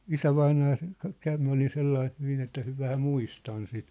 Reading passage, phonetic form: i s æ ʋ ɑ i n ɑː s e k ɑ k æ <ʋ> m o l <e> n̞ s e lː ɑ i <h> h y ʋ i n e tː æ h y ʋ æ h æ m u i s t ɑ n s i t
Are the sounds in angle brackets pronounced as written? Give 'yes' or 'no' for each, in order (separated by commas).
yes, no, yes